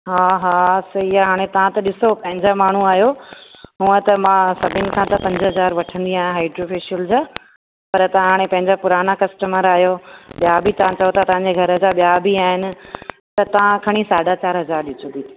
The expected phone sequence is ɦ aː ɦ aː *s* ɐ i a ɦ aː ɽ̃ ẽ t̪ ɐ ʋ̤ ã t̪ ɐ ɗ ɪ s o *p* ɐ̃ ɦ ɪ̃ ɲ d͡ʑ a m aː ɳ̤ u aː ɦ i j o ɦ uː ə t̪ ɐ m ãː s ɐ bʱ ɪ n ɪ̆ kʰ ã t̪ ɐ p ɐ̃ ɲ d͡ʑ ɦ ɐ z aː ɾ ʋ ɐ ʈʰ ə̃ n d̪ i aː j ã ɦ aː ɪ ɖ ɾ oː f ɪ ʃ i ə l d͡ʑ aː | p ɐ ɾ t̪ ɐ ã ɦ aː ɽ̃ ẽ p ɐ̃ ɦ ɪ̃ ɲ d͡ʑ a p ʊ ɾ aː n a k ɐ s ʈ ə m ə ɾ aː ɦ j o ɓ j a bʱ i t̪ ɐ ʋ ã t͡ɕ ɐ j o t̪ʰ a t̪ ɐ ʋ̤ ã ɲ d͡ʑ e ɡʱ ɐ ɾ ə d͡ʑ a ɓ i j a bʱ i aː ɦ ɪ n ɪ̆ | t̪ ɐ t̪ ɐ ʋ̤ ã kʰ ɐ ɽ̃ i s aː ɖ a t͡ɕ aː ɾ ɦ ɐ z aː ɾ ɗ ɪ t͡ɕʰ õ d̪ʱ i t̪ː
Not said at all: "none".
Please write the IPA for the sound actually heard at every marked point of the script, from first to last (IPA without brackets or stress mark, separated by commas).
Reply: s, p